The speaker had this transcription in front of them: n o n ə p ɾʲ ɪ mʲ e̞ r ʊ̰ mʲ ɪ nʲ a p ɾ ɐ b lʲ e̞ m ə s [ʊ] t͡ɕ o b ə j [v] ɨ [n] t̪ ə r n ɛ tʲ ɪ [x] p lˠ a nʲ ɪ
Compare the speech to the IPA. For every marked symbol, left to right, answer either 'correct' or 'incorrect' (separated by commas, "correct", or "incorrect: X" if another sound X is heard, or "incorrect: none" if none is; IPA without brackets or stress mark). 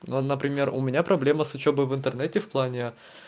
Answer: correct, correct, correct, incorrect: f